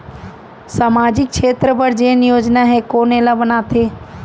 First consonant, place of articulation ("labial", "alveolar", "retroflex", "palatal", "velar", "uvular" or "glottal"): alveolar